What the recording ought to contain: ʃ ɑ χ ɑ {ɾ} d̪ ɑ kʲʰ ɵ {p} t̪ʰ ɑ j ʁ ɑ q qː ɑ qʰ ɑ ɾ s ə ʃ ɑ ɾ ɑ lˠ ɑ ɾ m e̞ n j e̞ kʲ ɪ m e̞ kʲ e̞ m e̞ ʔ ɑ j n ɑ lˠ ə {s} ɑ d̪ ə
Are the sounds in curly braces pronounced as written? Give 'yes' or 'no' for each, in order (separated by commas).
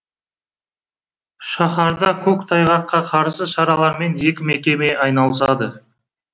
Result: yes, no, yes